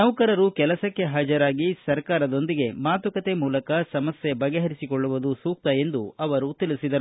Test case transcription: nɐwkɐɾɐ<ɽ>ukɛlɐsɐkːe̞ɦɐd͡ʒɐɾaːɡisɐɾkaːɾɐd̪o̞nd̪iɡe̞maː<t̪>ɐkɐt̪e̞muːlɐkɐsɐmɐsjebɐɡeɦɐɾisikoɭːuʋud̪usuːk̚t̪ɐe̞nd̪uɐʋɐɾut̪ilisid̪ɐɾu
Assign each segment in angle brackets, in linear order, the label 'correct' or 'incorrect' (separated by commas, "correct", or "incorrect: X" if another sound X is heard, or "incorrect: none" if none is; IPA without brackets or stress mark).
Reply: incorrect: ɾ, correct